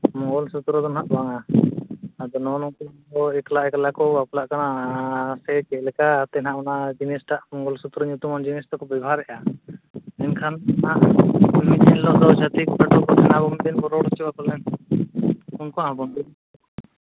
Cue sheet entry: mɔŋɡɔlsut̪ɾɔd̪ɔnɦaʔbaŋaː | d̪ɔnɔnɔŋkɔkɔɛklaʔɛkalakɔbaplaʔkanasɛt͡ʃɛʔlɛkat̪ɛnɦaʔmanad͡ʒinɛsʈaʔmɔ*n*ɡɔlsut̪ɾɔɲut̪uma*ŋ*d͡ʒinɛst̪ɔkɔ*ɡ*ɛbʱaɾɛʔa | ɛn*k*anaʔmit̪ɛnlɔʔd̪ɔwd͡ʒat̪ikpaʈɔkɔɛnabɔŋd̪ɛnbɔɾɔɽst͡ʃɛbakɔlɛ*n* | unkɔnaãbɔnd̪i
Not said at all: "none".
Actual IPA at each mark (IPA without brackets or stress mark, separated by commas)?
ŋ, n, b, kʰ, n